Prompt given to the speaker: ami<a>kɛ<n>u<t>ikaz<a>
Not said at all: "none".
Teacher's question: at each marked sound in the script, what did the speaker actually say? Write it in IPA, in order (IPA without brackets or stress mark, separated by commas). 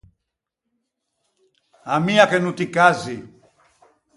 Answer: a, n, t, i